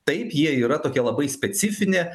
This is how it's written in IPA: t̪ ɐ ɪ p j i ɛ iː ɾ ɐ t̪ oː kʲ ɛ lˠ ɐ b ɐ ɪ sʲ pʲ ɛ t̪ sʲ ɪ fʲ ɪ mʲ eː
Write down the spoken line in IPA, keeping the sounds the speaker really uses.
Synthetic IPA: t̪ ɐ ɪ p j i ɛ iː ɾ ɐ t̪ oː kʲ ɛ lˠ ɐ b ɐ ɪ sʲ pʲ ɛ t̪ sʲ ɪ fʲ ɪ nʲ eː

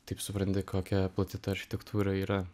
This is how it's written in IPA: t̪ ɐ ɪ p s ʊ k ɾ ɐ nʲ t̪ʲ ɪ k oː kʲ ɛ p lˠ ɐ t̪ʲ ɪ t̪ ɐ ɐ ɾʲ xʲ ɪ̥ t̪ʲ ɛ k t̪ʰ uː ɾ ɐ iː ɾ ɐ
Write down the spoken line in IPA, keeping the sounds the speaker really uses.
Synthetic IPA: t̪ ɐ ɪ p s ʊ p ɾ ɐ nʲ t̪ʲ ɪ k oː kʲ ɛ p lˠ ɐ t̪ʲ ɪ t̪ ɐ ɐ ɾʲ xʲ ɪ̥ t̪ʲ ɛ k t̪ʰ uː ɾ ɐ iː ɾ ɐ

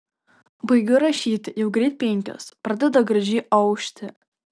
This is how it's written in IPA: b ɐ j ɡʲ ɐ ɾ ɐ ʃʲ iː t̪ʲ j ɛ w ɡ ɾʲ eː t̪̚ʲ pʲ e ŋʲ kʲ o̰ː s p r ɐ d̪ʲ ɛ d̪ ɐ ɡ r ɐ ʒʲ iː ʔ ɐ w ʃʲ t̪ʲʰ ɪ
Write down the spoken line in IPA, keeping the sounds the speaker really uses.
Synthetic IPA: b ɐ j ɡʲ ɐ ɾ ɐ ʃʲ iː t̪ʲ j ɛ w ɡ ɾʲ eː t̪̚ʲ pʲ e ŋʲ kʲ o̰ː s p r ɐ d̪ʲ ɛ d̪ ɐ ɡ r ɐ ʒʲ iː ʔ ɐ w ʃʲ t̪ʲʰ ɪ

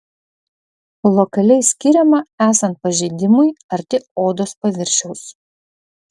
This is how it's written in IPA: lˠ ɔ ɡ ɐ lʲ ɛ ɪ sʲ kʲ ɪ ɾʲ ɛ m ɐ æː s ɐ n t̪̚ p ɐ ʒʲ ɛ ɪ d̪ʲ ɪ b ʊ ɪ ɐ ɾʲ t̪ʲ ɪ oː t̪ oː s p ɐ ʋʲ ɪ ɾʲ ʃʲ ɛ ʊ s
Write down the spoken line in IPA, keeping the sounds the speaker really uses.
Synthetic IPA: lˠ ɔ k ɐ lʲ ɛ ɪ sʲ kʲ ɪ ɾʲ ɛ m ɐ æː s ɐ n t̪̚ p ɐ ʒʲ ɛ ɪ d̪ʲ ɪ m ʊ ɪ ɐ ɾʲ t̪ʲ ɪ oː d̪ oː s p ɐ ʋʲ ɪ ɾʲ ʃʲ ɛ ʊ s

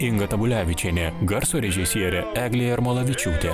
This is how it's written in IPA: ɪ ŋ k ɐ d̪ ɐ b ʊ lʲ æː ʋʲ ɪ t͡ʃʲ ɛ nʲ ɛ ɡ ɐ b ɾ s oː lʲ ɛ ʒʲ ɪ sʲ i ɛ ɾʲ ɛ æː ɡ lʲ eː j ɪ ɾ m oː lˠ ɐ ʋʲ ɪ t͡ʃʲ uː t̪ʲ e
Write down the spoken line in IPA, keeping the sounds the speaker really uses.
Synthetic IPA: ɪ ŋ ɡ ɐ t̪ ɐ b ʊ lʲ æː ʋʲ ɪ t͡ʃʲ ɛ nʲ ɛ ɡ ɐ ɾ s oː ɾʲ ɛ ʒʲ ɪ sʲ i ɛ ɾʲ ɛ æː ɡ lʲ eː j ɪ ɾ m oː lˠ ɐ ʋʲ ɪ t͡ʃʲ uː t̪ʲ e

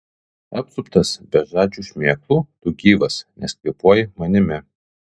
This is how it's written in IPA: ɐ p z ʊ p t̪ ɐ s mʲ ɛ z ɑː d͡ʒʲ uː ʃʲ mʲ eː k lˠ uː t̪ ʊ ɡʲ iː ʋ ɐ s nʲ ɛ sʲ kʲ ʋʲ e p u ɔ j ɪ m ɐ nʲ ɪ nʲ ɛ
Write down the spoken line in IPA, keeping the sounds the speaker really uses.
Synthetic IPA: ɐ p s ʊ p t̪ ɐ s bʲ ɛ ʒ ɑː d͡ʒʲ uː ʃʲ mʲ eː k lˠ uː t̪ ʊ ɡʲ iː ʋ ɐ s nʲ ɛ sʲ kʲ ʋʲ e p u ɔ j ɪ m ɐ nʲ ɪ mʲ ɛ

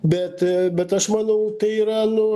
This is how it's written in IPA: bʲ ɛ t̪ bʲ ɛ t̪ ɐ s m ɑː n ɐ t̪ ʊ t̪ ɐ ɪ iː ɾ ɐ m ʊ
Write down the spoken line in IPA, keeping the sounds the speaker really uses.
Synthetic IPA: bʲ ɛ t̪ bʲ ɛ t̪ ɐ ʃ m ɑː n ɐ ʊ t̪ ɐ ɪ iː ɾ ɐ n ʊ

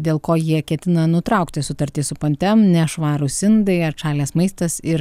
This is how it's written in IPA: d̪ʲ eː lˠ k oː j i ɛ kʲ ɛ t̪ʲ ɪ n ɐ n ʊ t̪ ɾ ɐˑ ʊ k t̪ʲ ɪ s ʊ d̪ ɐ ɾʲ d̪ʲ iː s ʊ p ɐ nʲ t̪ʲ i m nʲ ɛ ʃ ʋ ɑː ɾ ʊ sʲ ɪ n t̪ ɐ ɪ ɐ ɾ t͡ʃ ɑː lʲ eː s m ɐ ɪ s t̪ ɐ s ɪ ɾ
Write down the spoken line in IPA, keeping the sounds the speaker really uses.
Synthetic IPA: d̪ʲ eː lˠ k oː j i ɛ kʲ ɛ t̪ʲ ɪ n ɐ n ʊ t̪ ɾ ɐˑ ʊ k t̪ʲ ɪ s ʊ t̪ ɐ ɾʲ t̪ʲ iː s ʊ p ɐ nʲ t̪ʲ ɛ m nʲ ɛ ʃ ʋ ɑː ɾ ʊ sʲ ɪ n d̪ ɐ ɪ ɐ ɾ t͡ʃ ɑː lʲ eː s m ɐ ɪ s t̪ ɐ s ɪ ɾ

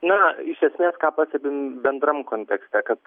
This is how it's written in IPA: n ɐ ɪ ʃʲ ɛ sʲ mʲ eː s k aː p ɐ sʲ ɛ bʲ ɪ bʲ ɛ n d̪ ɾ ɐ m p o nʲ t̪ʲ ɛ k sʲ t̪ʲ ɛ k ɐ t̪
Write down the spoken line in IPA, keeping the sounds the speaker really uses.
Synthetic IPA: n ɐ ɪ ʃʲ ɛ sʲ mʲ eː s k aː p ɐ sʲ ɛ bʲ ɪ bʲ ɛ n d̪ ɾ ɐ m k o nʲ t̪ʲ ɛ k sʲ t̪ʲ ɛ k ɐ t̪

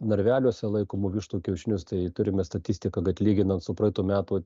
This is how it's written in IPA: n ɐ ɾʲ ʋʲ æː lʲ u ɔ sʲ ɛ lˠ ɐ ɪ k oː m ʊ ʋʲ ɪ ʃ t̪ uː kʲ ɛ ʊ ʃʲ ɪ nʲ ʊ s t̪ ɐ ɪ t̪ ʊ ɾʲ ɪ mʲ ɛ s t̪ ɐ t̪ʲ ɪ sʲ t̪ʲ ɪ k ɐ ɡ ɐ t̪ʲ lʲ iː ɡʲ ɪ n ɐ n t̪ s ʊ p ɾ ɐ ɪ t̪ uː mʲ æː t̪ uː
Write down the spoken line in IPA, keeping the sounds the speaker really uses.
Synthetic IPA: n ɐ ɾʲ ʋʲ æː lʲ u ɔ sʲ ɛ lˠ ɐ ɪ k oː m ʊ ʋʲ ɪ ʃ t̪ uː kʲ ɛ ʊ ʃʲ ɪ nʲ ʊ s t̪ ɐ ɪ t̪ ʊ ɾʲ ɪ mʲ ɛ s t̪ ɐ t̪ʲ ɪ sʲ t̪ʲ ɪ k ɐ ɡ ɐ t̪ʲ lʲ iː ɡʲ ɪ n ɐ n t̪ s ʊ p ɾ ɐ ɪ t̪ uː mʲ æː t̪ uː

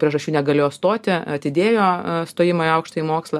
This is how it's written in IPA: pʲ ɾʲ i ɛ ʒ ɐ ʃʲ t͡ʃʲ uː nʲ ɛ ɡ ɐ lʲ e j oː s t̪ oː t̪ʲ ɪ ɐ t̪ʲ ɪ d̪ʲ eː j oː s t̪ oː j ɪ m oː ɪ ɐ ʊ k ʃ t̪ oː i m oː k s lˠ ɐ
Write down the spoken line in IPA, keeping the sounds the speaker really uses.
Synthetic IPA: pʲ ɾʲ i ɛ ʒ ɐ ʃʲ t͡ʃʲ uː nʲ ɛ ɡ ɐ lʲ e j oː s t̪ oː t̪ʲ ɪ ɐ t̪ʲ ɪ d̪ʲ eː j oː s t̪ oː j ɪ m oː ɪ ɐ ʊ k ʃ t̪ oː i m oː k s lˠ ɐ

